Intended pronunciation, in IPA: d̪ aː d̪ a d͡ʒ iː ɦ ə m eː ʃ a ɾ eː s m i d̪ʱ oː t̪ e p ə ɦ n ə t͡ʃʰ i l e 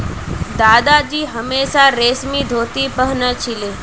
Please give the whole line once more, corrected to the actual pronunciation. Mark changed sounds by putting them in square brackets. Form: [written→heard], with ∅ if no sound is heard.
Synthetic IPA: d̪ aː d̪ a d͡ʒ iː ɦ ə m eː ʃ a ɾ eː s m i d̪ʱ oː t̪ [e→i] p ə ɦ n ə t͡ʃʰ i l e